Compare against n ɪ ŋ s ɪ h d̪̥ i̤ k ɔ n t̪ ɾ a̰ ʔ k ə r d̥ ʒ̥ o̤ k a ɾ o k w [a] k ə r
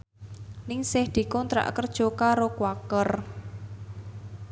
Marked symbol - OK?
yes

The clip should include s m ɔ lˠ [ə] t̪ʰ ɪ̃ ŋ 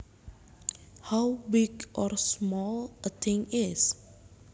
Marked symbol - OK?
yes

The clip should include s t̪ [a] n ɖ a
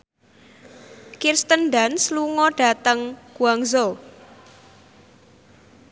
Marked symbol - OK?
no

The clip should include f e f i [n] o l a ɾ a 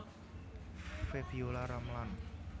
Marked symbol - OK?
no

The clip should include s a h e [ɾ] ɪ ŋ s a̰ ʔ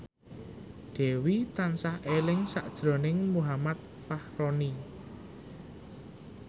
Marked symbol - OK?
no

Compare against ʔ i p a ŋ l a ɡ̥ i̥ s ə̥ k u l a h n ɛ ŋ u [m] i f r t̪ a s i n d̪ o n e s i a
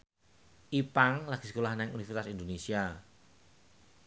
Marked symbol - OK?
no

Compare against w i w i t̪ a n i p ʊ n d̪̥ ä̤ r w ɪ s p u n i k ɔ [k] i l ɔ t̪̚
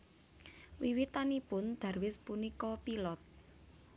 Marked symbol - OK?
no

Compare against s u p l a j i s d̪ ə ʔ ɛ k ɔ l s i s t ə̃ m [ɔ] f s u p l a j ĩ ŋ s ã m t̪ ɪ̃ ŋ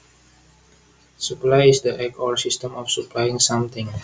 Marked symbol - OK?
yes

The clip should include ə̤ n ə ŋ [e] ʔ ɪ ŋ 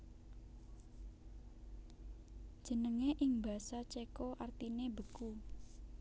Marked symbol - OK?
yes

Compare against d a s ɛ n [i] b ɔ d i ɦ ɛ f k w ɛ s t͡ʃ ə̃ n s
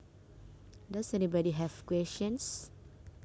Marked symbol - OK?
yes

